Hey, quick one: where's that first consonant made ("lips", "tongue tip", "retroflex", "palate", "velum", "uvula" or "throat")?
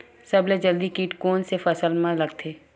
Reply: tongue tip